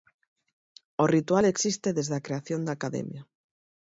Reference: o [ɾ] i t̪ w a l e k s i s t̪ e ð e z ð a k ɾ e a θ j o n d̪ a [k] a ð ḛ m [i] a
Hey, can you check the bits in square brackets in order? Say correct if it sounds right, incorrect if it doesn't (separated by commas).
incorrect, correct, incorrect